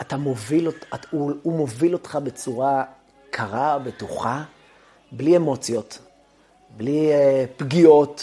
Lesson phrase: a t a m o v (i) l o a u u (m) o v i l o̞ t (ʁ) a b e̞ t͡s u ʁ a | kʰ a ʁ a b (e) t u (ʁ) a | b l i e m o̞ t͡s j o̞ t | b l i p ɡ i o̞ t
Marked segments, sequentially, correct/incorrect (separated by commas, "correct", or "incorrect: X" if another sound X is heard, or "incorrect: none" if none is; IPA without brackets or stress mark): correct, correct, incorrect: χ, correct, incorrect: χ